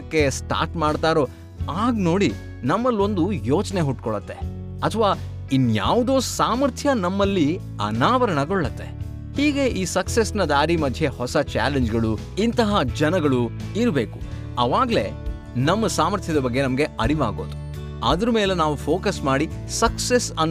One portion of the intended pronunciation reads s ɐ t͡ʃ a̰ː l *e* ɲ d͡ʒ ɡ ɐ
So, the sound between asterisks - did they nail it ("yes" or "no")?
yes